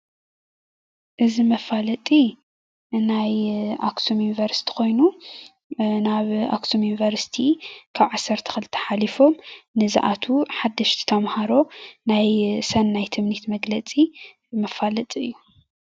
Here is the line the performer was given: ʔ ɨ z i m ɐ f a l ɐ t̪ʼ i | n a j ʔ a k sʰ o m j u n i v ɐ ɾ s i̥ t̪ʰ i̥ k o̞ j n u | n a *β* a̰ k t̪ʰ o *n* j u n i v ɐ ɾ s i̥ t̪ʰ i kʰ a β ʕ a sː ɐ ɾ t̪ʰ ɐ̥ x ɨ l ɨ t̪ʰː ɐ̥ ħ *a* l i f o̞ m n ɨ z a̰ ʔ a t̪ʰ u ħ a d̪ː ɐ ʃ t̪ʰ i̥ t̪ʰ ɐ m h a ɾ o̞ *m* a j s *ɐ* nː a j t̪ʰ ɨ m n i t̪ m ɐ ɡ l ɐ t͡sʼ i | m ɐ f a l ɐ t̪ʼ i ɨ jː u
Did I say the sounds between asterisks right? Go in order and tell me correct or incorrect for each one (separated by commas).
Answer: correct, incorrect, correct, incorrect, correct